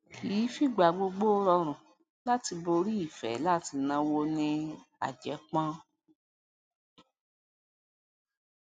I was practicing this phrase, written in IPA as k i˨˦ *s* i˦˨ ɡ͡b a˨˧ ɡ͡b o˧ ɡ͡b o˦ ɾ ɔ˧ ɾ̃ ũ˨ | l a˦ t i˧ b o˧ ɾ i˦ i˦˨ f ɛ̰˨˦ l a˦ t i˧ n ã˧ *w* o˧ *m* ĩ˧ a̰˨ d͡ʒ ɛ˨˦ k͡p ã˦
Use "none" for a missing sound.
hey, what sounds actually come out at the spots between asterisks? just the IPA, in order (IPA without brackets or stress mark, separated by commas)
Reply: f, w, n